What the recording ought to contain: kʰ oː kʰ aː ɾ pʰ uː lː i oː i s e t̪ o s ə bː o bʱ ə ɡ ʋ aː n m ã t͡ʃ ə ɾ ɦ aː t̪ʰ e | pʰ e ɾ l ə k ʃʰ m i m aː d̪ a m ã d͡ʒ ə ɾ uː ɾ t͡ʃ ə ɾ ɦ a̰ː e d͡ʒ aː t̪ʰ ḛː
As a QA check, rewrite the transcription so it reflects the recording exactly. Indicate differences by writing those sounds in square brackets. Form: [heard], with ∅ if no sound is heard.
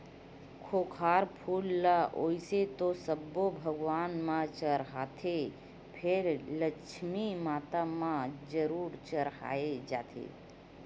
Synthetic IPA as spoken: kʰ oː kʰ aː ɾ pʰ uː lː [a] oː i s e t̪ o s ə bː o bʱ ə ɡ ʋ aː n m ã t͡ʃ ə ɾ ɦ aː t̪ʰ e | pʰ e ɾ l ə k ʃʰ m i m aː [t̪] a m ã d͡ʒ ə ɾ uː ɾ t͡ʃ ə ɾ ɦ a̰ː e d͡ʒ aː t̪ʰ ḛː